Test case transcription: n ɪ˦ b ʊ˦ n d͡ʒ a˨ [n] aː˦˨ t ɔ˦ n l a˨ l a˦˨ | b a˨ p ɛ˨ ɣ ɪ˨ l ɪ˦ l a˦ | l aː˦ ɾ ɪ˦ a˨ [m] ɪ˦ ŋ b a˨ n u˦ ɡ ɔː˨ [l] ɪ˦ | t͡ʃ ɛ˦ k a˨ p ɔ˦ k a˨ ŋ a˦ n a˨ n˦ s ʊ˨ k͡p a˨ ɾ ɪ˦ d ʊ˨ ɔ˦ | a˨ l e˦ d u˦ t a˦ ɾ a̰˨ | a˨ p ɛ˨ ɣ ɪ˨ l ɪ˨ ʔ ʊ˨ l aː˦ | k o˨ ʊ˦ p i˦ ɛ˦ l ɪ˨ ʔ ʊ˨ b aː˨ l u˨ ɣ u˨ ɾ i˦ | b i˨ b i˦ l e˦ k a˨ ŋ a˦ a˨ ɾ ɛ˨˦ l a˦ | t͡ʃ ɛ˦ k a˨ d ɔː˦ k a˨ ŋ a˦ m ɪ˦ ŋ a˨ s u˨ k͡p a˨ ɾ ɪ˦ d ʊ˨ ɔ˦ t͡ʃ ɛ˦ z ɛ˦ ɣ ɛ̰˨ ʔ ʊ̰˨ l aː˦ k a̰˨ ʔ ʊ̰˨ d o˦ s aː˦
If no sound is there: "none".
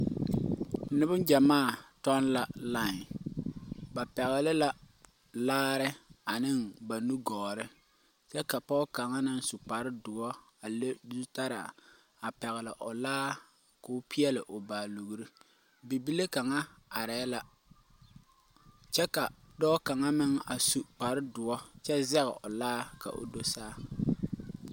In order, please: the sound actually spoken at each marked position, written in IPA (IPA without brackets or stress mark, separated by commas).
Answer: m, n, ɾ